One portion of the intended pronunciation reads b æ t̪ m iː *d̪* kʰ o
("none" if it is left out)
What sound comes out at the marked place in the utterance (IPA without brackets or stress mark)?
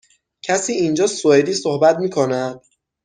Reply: none